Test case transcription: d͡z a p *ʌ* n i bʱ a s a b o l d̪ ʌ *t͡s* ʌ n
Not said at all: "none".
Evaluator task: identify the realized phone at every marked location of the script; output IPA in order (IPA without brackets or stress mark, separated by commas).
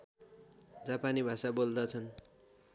a, t͡sʰ